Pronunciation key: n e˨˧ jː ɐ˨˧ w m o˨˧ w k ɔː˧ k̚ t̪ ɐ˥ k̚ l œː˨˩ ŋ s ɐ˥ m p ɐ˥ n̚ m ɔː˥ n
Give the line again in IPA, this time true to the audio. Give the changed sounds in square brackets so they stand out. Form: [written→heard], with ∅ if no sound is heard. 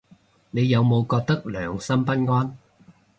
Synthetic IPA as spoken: n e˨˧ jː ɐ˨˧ w m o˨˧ w k ɔː˧ k̚ t̪ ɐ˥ k̚ l œː˨˩ ŋ s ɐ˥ m p ɐ˥ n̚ [m→ŋ] ɔː˥ n